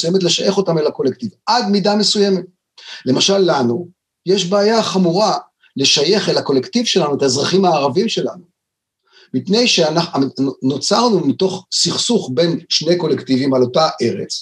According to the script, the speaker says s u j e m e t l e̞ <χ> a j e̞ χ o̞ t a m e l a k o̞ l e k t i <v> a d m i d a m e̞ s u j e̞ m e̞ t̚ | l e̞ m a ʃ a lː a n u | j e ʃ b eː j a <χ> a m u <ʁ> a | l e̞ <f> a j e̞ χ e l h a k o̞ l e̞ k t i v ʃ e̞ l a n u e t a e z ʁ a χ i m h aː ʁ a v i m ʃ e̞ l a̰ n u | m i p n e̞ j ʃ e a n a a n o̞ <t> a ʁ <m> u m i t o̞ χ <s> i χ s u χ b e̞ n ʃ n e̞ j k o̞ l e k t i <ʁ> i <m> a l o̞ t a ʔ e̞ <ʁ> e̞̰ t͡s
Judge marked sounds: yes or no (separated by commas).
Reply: no, yes, yes, yes, no, no, no, yes, no, yes, yes